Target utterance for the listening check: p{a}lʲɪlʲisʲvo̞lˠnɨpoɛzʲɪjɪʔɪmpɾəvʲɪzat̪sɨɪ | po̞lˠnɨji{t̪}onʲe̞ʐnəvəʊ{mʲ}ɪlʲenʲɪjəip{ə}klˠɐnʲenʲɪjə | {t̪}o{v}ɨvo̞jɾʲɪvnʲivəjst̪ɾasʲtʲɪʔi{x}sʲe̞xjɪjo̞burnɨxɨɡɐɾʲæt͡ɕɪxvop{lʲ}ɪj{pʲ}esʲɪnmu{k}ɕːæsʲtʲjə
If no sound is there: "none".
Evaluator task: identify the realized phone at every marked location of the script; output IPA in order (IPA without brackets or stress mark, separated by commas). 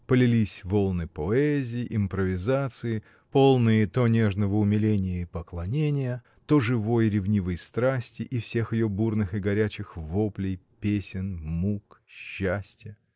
ə, t̪, mʲ, ə, t̪, ʐ, f, lʲ, pʲ, k